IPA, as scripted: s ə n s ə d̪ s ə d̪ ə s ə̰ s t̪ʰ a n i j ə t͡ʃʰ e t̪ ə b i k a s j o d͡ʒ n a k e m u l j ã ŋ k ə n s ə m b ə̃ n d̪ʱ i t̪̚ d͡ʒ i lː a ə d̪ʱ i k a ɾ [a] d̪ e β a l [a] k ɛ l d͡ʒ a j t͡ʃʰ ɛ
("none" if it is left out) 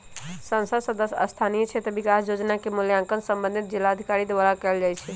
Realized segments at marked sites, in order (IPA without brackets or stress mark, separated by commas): i, a